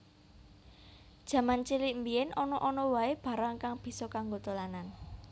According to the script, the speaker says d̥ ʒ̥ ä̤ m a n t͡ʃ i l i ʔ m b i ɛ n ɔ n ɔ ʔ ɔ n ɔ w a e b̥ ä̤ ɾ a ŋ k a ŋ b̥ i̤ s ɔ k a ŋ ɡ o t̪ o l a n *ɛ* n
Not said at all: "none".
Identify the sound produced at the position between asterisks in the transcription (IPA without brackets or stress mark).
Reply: a